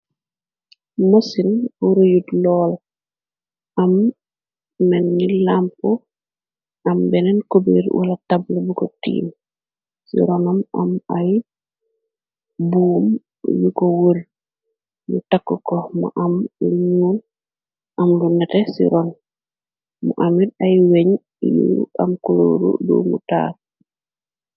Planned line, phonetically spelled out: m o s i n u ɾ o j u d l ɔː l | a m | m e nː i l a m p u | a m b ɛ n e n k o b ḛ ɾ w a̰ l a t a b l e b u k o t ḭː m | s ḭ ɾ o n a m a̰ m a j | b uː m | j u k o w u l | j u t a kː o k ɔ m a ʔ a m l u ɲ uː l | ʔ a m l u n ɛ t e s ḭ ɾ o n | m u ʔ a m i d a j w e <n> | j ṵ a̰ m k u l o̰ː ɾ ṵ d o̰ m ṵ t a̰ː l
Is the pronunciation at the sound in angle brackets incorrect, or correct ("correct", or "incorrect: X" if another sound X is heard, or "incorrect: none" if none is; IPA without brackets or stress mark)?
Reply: incorrect: ɲ